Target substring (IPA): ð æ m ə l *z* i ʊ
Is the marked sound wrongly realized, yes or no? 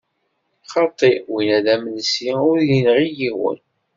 yes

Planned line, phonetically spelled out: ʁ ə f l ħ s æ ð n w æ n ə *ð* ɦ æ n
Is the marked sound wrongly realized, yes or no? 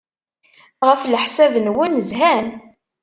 yes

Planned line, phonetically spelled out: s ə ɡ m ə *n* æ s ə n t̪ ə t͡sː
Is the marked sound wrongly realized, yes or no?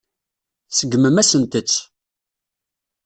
yes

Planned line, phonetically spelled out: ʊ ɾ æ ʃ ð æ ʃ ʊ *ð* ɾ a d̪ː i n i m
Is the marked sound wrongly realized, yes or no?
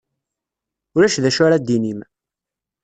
yes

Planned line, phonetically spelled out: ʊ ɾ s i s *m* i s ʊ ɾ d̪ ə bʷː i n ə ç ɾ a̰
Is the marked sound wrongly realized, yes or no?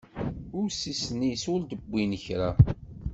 yes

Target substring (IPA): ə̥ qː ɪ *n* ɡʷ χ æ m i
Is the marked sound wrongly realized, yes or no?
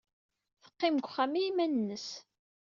yes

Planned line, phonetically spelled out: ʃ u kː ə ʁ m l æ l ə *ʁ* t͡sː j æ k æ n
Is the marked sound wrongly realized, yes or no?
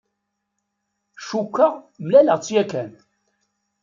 no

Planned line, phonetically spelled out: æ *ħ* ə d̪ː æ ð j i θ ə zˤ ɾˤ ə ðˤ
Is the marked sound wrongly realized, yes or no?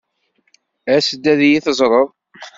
yes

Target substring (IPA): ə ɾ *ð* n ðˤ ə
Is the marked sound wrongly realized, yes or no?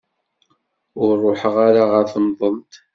yes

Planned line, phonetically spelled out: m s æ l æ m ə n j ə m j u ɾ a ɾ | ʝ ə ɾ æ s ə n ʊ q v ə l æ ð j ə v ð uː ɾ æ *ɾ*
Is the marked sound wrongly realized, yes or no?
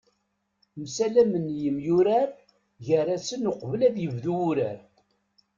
no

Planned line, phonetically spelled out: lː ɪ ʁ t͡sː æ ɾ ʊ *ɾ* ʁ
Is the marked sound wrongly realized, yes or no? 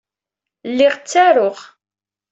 yes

